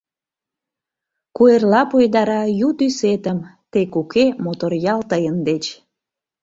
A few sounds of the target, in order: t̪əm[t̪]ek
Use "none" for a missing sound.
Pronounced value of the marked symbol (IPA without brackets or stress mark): t̪